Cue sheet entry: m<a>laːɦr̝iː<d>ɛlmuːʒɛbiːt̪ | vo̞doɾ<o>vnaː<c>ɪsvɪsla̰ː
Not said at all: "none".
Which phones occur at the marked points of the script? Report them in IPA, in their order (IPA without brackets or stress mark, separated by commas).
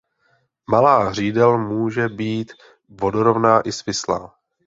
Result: a, d, o, ʔ